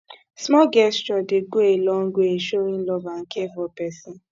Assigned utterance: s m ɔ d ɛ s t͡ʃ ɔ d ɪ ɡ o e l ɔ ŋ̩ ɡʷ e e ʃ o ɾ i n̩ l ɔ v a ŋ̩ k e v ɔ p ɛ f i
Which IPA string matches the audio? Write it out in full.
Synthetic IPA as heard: s m ɔ ɡ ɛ s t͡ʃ ɔ d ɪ ɡ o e l ɔ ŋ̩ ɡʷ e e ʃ o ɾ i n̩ l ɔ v a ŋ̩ k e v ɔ p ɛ s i